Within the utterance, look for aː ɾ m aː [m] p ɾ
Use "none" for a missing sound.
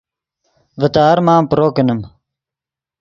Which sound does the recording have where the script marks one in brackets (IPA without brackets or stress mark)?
m